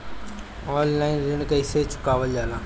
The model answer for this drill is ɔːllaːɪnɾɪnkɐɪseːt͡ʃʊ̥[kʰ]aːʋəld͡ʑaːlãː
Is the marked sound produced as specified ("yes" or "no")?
no